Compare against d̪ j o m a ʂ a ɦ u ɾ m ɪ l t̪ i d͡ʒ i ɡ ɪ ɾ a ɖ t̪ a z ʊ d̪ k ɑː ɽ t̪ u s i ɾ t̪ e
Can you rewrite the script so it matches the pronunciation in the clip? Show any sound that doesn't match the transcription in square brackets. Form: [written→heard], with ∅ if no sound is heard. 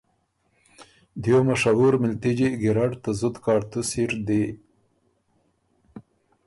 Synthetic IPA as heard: d̪ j o m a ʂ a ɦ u ɾ m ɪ l t̪ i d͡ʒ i ɡ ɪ ɾ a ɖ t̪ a z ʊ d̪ k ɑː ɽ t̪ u s i ɾ [t̪→d̪] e